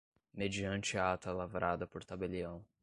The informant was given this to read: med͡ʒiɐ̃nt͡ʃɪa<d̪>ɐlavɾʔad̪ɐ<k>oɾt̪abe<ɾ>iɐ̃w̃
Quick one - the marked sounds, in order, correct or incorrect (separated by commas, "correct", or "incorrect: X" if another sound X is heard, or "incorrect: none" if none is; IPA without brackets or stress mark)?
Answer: incorrect: t̪, incorrect: p, incorrect: l